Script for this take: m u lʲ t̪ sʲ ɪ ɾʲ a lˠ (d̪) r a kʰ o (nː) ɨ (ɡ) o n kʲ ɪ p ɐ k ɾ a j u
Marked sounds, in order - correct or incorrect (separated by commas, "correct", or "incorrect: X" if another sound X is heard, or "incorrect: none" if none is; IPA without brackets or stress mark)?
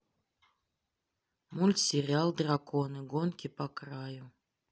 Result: correct, incorrect: n, correct